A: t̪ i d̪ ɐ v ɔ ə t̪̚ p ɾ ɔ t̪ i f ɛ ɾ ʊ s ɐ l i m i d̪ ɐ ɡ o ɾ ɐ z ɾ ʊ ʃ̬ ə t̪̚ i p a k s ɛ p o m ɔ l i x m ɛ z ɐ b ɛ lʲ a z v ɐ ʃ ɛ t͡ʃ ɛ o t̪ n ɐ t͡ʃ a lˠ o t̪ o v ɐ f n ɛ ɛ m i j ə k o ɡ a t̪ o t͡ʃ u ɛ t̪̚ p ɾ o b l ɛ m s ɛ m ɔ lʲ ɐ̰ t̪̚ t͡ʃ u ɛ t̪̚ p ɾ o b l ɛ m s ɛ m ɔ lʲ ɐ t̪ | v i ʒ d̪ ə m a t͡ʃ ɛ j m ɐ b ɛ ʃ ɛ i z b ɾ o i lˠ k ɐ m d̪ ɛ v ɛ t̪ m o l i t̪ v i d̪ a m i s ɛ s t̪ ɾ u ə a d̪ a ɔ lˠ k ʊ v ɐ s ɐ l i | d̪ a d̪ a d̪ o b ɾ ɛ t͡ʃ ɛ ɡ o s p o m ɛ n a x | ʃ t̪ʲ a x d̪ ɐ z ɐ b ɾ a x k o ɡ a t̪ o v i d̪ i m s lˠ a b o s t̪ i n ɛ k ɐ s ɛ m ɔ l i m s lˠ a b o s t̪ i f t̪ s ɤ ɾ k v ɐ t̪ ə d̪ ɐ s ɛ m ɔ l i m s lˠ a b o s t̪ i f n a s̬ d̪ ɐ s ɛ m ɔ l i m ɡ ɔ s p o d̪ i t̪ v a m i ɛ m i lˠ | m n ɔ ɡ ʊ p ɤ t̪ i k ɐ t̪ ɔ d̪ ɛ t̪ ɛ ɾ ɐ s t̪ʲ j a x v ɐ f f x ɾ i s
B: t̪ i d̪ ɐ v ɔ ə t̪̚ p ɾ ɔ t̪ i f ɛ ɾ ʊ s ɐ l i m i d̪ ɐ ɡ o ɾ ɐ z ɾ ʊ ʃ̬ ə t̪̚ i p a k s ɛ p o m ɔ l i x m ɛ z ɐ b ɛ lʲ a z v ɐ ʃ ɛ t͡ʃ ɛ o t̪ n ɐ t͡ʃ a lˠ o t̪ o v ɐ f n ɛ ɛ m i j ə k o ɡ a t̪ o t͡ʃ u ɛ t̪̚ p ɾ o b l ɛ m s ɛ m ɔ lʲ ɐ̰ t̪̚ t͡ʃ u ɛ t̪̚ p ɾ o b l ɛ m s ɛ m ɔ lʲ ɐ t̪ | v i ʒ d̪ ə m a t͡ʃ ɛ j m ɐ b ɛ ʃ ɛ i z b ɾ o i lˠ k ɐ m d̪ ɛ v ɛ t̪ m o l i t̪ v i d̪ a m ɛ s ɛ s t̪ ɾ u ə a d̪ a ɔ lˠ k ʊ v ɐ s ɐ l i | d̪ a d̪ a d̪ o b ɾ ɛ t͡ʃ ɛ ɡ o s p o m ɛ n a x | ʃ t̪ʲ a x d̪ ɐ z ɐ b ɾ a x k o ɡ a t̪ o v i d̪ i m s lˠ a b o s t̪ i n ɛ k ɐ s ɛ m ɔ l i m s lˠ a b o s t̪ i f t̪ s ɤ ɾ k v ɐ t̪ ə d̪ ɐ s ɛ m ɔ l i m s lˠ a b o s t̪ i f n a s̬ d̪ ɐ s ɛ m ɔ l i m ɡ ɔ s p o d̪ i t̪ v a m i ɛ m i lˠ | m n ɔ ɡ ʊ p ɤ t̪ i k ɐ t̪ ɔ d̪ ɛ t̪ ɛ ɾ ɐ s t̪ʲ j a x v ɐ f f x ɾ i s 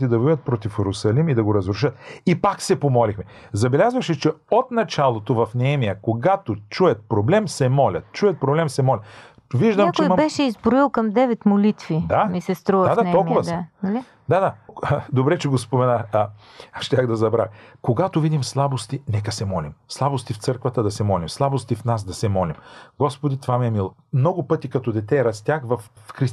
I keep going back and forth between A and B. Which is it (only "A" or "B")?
A